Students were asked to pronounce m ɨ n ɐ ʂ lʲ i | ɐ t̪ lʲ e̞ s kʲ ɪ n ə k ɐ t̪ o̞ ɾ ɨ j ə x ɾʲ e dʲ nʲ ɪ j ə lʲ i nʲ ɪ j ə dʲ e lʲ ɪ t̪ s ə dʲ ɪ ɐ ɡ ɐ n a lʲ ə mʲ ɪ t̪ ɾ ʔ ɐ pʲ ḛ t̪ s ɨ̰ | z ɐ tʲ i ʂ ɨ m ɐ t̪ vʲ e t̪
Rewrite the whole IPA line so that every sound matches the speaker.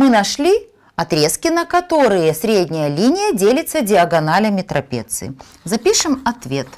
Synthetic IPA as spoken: m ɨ n ɐ ʂ lʲ i | ɐ t̪ ɾʲ e̞ s kʲ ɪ n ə k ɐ t̪ o̞ ɾ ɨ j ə s ɾʲ e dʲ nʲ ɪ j ə lʲ i nʲ ɪ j ə dʲ e lʲ ɪ t̪ s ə dʲ ɪ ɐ ɡ ɐ n a lʲ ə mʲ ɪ t̪ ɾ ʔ ɐ pʲ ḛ t̪ s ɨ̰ | z ɐ pʲ i ʂ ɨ m ɐ t̪ vʲ e t̪